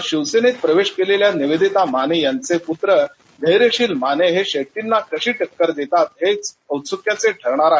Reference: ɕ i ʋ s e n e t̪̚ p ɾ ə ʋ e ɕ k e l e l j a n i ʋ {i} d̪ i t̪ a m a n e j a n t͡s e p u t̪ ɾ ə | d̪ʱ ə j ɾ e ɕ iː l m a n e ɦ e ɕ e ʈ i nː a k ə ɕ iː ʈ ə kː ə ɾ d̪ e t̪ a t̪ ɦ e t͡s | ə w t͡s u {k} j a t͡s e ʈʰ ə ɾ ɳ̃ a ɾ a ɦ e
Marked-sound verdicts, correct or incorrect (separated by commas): incorrect, correct